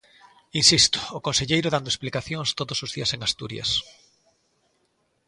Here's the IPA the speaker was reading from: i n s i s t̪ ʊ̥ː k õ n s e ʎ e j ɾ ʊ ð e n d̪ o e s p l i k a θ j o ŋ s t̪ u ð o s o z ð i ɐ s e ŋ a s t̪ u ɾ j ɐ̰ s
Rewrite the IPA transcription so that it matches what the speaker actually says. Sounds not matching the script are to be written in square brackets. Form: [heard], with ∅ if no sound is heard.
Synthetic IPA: i n s i s t̪ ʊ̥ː k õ n s e ʎ e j ɾ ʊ ð [a] n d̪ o e s p l i k a θ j o ŋ s t̪ [o] ð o s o z ð i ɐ s e ŋ a s t̪ u ɾ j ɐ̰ s

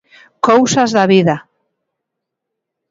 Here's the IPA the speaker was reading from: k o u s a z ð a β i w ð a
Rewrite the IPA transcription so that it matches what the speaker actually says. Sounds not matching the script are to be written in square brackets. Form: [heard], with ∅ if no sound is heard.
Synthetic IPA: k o [w] s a z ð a β i [∅] ð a

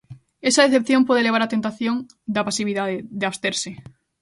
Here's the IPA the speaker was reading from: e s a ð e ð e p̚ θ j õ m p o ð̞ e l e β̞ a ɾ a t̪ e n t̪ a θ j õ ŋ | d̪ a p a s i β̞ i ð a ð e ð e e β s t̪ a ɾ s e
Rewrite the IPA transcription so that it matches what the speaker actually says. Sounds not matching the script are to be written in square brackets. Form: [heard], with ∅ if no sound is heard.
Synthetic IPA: e s a ð e [θ] e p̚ θ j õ m p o ð̞ e l e β̞ a ɾ a t̪ e n t̪ a θ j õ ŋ | d̪ a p a s i β̞ i ð a ð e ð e [a] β s t̪ [e] ɾ s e

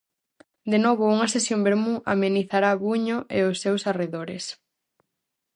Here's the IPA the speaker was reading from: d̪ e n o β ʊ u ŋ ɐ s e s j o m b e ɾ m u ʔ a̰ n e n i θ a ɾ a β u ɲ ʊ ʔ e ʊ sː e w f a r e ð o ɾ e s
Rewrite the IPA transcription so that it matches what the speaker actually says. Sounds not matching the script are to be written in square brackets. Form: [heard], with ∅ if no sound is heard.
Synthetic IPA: d̪ e n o β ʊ u ŋ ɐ s e s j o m b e ɾ m u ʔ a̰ [m] e n i θ a ɾ a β u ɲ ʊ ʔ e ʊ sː e w [s] a r e ð o ɾ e s

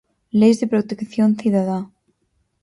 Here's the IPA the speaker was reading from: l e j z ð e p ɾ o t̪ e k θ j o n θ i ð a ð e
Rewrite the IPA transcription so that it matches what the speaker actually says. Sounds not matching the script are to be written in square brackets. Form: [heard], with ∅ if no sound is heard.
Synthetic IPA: l e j z ð e p ɾ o t̪ e k θ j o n θ i ð a ð [a]

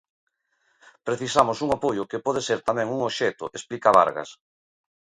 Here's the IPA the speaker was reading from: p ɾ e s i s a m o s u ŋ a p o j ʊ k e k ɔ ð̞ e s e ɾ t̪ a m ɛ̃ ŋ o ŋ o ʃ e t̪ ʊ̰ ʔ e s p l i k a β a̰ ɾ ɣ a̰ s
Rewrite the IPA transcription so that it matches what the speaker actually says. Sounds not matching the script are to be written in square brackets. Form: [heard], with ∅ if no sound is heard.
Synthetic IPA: p ɾ e [θ] i s a m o s u ŋ a p o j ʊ k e [p] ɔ ð̞ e s e ɾ t̪ a m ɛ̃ ŋ [u] ŋ o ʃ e t̪ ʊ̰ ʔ e s p l i k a β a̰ ɾ ɣ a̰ s

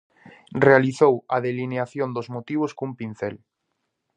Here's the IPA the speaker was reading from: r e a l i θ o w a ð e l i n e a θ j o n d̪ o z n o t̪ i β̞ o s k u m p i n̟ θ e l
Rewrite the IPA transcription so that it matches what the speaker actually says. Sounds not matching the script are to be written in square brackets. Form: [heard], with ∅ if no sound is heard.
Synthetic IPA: r e a l i θ o w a ð e l i n e a θ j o n d̪ o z [m] o t̪ i β̞ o s k u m p i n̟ θ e l

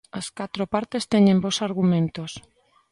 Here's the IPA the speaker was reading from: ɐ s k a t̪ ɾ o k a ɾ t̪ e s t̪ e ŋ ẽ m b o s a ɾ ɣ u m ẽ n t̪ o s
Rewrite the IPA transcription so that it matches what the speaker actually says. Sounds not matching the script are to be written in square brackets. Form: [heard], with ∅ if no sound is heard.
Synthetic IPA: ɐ s k a t̪ ɾ o [p] a ɾ t̪ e s t̪ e [ɲ] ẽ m b o s a ɾ ɣ u m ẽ n t̪ o s

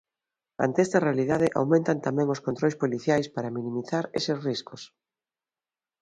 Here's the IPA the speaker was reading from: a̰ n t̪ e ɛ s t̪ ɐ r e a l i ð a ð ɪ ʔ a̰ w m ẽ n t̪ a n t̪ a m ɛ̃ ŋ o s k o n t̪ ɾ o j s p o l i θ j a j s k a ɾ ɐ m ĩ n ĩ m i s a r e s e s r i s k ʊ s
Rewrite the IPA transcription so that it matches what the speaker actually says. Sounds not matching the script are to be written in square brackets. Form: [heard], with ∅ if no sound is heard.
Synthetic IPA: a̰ n t̪ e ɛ s t̪ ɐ r e a l i ð a ð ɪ ʔ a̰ w m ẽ n t̪ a n t̪ a m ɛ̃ ŋ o s k o n t̪ ɾ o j s p o l i θ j a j s [p] a ɾ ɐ m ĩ n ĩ m i [θ] a [ɾ] e s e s r i s k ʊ s

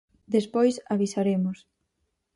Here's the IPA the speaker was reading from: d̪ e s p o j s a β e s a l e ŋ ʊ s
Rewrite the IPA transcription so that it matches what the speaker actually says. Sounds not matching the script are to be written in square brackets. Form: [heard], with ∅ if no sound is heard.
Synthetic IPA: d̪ e s p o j s a β [i] s a [ɾ] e [m] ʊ s

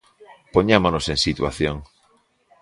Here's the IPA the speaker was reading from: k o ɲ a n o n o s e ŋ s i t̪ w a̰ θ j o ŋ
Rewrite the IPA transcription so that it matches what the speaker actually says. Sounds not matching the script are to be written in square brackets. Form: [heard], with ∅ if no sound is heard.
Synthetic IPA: [p] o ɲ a [m] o n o s e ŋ s i t̪ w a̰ θ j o ŋ

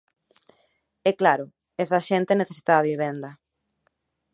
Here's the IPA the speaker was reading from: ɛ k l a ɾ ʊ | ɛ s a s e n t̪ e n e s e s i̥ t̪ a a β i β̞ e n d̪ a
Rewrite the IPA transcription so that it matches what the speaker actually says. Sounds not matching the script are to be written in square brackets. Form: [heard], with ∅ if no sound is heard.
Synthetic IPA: ɛ k l a ɾ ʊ | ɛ s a [ʃ] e n t̪ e n e [θ] e s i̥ t̪ a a β i β̞ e n d̪ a

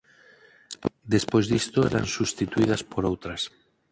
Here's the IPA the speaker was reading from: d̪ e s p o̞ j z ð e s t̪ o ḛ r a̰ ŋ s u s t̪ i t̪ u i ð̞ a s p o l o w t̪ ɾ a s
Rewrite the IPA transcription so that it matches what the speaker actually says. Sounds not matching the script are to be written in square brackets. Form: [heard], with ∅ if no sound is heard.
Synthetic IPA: d̪ e s p o̞ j z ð [i] s t̪ o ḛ [ɾ] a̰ [n] s u s t̪ i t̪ u i ð̞ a s p o [ɾ] o w t̪ ɾ a s

